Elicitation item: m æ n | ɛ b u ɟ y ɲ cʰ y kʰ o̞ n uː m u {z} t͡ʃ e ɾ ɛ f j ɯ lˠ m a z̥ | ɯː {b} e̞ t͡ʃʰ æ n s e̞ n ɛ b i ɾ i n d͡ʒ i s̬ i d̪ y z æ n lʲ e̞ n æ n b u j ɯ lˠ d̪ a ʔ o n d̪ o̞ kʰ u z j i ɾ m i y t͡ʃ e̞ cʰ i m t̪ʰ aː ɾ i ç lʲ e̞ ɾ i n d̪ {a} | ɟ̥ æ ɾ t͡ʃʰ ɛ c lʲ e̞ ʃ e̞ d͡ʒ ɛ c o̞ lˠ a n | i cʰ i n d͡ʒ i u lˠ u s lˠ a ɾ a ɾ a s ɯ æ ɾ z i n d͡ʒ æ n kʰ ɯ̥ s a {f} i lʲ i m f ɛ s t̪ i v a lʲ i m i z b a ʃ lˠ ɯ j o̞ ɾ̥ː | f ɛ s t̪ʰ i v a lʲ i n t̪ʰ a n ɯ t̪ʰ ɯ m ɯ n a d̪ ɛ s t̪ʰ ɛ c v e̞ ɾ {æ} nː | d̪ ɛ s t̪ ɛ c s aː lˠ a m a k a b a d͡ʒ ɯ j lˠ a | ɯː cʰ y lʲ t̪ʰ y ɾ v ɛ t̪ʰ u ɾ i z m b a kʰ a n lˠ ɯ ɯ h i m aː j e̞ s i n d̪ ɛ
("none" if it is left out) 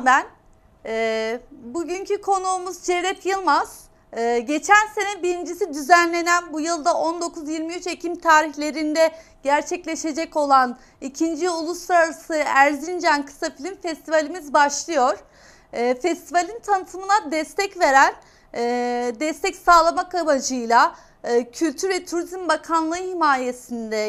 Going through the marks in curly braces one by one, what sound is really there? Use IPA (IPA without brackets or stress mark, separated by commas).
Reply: z, ɟ, ɛ, f, æ